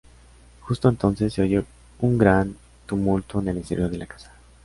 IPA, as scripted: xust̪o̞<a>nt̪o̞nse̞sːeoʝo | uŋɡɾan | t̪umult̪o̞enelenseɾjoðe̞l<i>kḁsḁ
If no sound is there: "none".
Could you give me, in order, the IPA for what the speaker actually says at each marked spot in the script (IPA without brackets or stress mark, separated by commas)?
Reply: e, a